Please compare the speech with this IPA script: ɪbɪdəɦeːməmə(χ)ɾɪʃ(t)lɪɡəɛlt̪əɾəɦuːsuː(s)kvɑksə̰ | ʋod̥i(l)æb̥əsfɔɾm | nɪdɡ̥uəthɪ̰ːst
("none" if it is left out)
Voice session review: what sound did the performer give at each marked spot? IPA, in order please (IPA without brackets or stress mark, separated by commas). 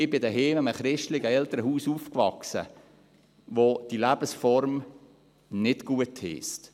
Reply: χ, t, f, l